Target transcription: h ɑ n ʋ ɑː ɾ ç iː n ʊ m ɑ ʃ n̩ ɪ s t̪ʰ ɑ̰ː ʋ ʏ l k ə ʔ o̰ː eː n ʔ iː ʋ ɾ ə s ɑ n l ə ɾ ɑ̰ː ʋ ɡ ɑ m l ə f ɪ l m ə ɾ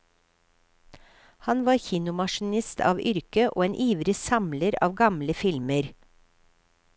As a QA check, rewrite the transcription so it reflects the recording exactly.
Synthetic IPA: h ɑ n ʋ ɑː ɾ ç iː n ʊ m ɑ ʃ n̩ ɪ s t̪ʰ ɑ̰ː ʋ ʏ ɾ k ə ʔ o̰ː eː n ʔ iː ʋ ɾ ə s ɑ m l ə ɾ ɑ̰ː ʋ ɡ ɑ m l ə f ɪ l m ə ɾ